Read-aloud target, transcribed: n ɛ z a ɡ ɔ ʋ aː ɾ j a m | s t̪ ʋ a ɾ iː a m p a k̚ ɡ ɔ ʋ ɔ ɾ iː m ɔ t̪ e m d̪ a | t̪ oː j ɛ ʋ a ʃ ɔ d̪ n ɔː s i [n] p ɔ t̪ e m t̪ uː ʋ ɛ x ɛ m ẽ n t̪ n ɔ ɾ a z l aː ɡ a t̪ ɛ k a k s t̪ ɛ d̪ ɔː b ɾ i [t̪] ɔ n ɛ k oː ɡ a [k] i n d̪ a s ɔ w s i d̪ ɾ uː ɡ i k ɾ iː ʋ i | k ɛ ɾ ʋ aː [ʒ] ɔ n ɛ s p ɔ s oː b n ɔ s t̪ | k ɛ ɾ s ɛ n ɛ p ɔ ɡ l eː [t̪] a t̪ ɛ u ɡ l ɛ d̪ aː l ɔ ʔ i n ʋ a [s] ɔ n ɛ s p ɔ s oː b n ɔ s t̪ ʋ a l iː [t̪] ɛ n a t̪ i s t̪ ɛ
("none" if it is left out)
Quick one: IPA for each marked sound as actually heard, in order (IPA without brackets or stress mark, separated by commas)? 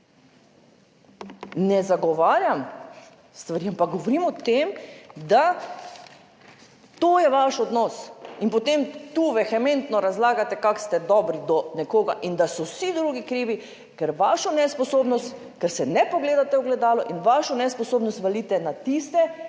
n, d̪, ʔ, ʃ, d̪, ʃ, t̪